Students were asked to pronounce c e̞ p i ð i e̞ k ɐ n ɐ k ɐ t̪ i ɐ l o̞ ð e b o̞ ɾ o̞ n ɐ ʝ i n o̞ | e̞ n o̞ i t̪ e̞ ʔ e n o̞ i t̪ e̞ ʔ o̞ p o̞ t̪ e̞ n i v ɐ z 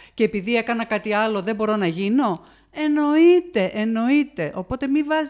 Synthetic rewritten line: c e̞ p i ð i e̞ k ɐ n ɐ k ɐ t̪ i ɐ l o̞ ð e b o̞ ɾ o̞ n ɐ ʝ i n o̞ | e̞ n o̞ i t̪ e̞ ʔ e n o̞ i t̪ e̞ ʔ o̞ p o̞ t̪ e̞ m i v ɐ z